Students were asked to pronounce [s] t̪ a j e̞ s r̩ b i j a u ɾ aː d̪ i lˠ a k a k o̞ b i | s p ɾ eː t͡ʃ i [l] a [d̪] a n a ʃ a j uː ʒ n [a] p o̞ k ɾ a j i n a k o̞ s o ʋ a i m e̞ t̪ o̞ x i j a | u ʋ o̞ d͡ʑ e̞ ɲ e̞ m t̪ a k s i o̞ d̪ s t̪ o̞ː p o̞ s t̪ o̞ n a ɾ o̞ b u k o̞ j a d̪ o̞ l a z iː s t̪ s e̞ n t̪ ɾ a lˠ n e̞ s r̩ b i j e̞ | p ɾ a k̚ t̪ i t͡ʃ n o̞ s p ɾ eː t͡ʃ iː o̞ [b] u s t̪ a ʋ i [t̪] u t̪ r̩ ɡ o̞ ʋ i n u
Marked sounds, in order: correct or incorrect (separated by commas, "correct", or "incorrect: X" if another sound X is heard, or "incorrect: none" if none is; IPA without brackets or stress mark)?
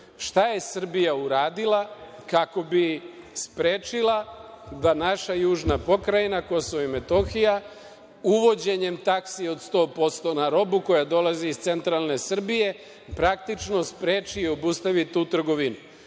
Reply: incorrect: ʃ, correct, correct, correct, correct, correct